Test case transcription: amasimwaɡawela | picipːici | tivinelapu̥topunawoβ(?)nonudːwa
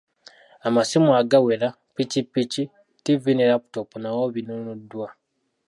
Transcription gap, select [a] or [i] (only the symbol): i